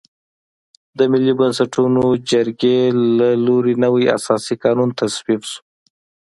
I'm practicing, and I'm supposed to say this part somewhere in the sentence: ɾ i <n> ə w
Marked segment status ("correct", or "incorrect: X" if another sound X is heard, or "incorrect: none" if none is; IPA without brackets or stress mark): correct